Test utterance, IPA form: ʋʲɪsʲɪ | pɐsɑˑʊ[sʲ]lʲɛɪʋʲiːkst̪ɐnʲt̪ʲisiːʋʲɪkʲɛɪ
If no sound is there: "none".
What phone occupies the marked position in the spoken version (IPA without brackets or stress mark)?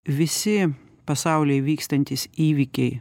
none